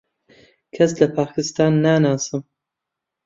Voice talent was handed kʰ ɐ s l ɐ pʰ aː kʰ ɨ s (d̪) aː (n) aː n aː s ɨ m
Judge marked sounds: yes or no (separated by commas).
no, no